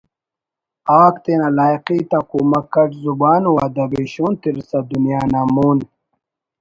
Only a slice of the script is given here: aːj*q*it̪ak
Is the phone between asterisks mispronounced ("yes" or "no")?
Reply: no